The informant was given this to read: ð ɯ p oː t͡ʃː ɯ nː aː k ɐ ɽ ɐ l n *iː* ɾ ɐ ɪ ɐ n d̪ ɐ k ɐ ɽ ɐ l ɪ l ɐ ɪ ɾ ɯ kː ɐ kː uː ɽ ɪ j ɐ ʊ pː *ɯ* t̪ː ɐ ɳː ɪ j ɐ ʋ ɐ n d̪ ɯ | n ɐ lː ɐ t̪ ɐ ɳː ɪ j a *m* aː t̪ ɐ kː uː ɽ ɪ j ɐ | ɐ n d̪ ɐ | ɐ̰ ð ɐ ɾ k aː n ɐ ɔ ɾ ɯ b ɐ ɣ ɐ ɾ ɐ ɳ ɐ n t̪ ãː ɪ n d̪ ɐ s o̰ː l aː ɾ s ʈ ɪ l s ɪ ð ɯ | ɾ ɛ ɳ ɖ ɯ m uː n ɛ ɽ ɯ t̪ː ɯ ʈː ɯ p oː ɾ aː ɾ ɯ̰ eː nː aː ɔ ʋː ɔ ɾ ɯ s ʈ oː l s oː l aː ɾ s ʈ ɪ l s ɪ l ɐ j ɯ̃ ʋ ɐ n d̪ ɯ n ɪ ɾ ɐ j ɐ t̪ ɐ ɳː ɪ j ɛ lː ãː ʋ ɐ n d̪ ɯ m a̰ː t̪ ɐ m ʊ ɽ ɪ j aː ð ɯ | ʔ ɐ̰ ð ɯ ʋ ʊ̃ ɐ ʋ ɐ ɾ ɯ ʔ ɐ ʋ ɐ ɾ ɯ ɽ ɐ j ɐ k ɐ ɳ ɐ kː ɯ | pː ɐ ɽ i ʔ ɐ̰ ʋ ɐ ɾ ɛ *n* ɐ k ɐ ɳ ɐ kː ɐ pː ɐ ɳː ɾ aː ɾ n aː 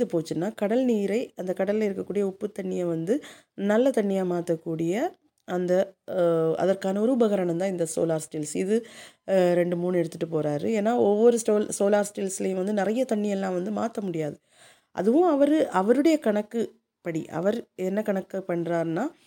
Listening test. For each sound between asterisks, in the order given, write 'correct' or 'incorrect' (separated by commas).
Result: correct, correct, correct, incorrect